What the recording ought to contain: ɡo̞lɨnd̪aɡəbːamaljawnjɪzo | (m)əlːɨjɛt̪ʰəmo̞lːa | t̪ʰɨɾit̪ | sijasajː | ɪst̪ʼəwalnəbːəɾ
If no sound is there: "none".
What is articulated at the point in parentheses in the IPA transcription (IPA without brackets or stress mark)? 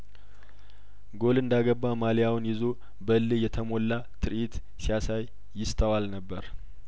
b